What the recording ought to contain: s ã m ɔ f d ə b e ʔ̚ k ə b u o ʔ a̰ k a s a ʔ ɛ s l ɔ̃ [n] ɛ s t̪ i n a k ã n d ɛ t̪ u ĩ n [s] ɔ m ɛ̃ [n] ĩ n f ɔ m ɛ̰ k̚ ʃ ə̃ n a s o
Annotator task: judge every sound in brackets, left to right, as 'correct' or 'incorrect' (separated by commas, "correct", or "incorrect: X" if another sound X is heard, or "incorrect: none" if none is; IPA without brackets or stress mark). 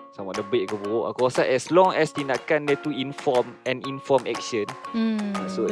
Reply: incorrect: ŋ, incorrect: f, correct